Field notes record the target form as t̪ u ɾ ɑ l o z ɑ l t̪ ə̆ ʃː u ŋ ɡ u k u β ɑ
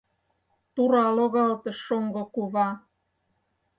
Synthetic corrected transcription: t̪ u ɾ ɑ l o ɣ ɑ l t̪ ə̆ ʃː o ŋ ɡ o k u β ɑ